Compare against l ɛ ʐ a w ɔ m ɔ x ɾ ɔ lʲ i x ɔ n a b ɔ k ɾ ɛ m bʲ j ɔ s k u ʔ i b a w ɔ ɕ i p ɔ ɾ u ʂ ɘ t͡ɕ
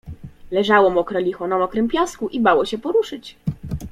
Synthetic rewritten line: l ɛ ʐ a w ɔ m ɔ k ɾ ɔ lʲ i x ɔ n a m ɔ k ɾ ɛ m pʲ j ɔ s k u ʔ i b a w ɔ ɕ ɛ p ɔ ɾ u ʂ ɘ t͡ɕ